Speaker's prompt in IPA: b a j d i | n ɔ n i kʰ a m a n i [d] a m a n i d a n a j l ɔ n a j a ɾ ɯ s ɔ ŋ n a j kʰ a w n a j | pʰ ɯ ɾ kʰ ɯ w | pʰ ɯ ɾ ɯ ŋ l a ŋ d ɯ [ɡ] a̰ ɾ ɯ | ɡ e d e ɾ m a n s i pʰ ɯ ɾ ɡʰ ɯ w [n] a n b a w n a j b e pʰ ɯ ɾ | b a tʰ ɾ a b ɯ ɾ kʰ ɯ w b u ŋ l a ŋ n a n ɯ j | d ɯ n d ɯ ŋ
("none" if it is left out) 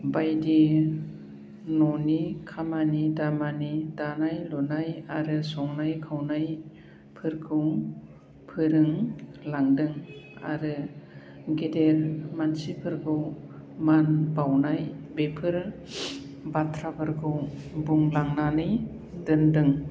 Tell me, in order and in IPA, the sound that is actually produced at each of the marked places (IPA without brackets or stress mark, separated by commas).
d, ŋ, m